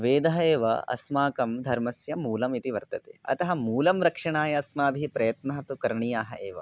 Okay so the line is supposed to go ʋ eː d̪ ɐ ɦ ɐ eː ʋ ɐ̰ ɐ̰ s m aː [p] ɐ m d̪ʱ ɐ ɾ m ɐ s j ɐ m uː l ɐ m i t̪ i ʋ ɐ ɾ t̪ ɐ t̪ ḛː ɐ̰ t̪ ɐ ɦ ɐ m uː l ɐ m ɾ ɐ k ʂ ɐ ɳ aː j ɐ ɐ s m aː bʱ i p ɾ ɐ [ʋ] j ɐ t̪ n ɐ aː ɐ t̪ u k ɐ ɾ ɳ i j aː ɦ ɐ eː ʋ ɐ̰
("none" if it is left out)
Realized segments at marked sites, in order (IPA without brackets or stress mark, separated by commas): k, none